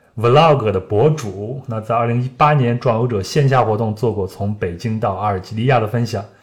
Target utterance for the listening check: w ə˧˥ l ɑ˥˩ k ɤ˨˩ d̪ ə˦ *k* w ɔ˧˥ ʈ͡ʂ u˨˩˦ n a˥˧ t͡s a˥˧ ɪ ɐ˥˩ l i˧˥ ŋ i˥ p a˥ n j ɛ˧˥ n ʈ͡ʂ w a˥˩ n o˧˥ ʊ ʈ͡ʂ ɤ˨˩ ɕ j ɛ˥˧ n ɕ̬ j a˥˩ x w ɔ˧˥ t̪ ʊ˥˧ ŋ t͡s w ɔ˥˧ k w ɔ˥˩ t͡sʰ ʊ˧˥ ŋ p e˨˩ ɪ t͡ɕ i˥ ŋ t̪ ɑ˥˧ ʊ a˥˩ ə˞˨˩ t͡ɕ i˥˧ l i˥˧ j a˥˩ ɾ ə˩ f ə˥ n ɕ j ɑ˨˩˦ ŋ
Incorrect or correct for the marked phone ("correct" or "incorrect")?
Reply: incorrect